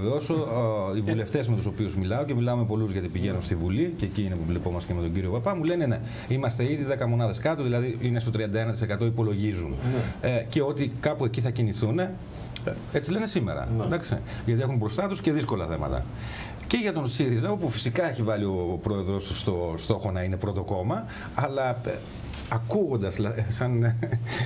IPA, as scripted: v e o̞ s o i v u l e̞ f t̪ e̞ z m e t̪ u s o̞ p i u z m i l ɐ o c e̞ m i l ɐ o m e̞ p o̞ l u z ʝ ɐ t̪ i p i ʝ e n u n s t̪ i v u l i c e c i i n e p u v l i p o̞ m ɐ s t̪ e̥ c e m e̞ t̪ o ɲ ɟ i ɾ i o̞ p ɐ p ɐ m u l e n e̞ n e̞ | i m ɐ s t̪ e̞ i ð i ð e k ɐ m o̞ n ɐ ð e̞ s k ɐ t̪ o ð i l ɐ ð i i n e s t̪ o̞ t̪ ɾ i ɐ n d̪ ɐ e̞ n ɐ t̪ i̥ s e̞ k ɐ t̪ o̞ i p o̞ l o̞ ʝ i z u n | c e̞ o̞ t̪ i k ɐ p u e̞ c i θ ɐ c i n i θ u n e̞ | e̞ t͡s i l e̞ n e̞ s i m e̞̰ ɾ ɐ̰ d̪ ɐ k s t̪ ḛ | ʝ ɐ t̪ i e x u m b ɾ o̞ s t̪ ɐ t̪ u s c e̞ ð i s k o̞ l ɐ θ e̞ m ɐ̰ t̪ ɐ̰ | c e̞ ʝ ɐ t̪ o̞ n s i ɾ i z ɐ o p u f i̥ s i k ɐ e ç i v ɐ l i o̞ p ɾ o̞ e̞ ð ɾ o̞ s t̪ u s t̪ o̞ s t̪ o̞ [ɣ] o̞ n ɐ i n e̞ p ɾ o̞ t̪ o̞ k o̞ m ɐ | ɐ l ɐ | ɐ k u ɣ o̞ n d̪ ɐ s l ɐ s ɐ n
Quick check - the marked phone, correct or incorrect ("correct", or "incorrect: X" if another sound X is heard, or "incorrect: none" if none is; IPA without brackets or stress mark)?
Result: incorrect: x